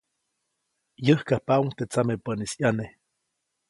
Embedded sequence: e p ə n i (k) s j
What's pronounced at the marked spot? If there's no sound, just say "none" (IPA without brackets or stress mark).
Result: none